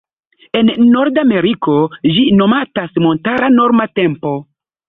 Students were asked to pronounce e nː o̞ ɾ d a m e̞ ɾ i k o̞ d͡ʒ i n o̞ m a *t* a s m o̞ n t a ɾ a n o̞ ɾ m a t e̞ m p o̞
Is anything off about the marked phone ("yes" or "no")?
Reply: no